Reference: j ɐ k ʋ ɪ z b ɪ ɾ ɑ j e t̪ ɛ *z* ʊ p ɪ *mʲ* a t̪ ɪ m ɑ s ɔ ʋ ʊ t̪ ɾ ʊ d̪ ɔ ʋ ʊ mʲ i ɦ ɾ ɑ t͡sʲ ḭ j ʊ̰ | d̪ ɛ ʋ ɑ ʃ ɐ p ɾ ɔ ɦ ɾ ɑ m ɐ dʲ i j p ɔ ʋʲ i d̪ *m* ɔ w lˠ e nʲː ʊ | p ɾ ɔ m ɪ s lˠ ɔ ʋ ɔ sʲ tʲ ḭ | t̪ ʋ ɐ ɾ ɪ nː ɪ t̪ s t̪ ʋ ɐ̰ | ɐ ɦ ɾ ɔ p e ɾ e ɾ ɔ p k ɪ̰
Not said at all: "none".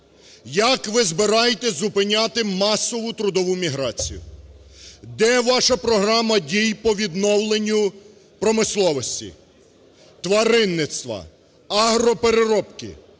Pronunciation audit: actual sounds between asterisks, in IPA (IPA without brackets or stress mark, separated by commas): z, nʲ, n